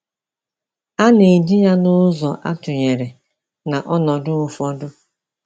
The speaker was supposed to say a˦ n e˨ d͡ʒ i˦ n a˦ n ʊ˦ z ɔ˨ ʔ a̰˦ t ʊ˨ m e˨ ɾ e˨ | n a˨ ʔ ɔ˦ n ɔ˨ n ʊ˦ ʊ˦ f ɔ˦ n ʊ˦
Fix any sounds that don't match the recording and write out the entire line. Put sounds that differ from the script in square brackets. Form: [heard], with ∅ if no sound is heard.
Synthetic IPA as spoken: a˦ n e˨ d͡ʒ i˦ [ɲ] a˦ n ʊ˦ z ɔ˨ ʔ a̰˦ t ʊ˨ [ɲ] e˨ ɾ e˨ | n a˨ ʔ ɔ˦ n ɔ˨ [d] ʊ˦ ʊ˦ f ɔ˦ [d] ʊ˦

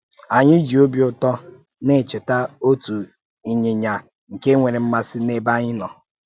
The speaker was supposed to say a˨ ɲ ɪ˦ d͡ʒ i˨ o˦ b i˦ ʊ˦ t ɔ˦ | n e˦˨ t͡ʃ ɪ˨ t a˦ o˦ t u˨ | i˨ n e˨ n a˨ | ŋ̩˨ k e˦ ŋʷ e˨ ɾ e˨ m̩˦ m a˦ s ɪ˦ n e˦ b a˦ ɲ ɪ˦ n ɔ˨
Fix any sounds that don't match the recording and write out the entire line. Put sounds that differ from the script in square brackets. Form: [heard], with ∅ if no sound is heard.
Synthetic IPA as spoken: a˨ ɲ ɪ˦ d͡ʒ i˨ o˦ b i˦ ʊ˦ t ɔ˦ | n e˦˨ t͡ʃ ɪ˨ t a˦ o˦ t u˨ | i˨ [ɲ] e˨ [ɲ] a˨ | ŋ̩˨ k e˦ ŋʷ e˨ ɾ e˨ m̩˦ m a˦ s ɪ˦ n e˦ b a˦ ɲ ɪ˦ n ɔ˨

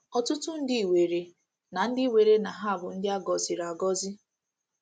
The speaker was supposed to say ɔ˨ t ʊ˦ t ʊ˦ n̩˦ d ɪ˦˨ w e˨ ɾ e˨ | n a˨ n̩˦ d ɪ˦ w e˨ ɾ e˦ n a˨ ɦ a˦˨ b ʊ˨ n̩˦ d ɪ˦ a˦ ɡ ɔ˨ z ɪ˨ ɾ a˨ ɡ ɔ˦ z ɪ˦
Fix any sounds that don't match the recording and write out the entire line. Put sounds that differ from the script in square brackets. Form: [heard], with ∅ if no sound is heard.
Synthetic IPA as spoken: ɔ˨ t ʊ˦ t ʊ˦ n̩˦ d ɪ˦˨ w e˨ ɾ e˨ | n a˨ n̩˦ d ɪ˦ w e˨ ɾ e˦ n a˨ ɦ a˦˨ b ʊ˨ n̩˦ d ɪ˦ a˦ ɡ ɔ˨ z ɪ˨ ɾ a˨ ɡ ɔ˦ z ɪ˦

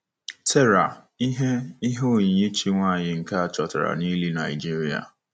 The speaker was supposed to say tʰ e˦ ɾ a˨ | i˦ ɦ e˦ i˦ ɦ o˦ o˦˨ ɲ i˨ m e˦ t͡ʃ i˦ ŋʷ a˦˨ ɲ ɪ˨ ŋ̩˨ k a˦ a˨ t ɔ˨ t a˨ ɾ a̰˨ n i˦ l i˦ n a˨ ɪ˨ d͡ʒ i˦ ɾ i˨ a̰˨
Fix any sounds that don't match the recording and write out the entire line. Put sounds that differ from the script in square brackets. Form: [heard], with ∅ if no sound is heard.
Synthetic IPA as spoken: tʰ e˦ ɾ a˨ | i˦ ɦ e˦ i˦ ɦ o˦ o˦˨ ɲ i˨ [ɲ] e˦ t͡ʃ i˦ ŋʷ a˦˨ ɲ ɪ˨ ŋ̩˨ k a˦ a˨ [t͡ʃ] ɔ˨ t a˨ ɾ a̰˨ n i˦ l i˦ n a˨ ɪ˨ d͡ʒ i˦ ɾ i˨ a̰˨

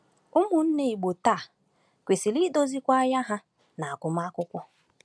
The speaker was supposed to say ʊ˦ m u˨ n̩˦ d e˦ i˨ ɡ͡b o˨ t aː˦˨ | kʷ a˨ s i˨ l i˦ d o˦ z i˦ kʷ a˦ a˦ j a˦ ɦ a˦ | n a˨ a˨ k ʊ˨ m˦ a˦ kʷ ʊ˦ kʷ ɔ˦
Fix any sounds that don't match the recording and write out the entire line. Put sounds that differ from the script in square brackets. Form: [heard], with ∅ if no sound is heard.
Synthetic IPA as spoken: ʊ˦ m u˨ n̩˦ [n] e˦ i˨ ɡ͡b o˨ t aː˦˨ | kʷ [e˨] s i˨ l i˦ d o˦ z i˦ kʷ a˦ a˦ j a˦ ɦ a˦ | n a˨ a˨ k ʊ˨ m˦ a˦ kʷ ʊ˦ kʷ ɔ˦

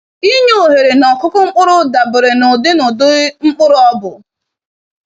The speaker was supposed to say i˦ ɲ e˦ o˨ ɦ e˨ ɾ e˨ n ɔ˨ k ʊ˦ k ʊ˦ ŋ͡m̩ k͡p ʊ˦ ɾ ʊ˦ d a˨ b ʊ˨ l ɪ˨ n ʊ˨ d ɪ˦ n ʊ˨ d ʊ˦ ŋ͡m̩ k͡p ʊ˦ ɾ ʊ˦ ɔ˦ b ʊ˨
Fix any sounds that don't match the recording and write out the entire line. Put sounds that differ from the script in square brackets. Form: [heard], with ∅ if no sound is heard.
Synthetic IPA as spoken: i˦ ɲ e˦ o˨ ɦ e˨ ɾ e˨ n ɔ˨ k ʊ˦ k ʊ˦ ŋ͡m̩ k͡p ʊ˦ ɾ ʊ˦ d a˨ b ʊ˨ [ɾ] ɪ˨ n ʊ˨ d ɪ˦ n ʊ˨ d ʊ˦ ŋ͡m̩ k͡p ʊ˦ ɾ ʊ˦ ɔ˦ b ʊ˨

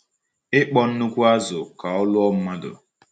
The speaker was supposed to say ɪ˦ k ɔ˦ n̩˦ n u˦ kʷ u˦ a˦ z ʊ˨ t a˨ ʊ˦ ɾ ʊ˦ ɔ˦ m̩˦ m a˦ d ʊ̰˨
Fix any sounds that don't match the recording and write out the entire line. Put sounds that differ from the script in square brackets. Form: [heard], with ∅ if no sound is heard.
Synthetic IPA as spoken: ɪ˦ [k͡p] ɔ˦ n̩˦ n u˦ kʷ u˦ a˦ z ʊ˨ [k] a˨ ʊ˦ [l] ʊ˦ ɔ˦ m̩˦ m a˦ d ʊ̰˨

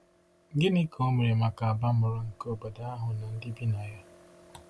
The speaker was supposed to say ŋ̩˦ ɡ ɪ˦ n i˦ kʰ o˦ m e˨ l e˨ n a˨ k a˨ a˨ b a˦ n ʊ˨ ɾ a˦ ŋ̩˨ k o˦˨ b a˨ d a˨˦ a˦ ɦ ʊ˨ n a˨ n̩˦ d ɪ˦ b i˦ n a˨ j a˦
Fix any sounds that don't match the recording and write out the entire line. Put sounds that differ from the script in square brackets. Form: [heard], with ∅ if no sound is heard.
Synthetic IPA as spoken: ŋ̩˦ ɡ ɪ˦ n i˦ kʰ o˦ m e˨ [ɾ] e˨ [m] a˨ k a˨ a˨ b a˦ [m] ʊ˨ ɾ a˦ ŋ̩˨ k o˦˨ b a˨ d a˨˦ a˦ ɦ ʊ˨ n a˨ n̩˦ d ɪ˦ b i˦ n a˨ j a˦

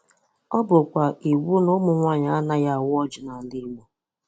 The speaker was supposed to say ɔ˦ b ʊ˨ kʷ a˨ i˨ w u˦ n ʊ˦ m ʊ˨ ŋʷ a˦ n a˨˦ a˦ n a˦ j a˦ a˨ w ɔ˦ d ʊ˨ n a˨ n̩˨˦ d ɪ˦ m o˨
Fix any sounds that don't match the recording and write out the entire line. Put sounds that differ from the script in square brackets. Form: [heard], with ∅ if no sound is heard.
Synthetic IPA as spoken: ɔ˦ b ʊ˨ kʷ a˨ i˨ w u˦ n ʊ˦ m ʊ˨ ŋʷ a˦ [ɲ] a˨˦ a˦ n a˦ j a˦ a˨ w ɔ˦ [d͡ʒ] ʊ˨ n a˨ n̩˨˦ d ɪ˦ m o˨

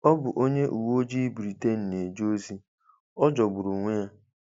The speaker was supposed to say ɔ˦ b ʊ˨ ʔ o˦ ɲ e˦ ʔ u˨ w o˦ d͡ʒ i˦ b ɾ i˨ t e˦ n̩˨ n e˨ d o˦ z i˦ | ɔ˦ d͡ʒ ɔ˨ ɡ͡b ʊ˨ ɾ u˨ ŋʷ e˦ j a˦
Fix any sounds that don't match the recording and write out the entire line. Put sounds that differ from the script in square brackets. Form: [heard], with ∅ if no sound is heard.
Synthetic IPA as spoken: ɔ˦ b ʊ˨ ʔ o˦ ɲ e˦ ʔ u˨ w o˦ d͡ʒ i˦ b ɾ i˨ t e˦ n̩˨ n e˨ [d͡ʒ] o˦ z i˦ | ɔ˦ d͡ʒ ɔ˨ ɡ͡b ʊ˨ ɾ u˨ ŋʷ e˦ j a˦

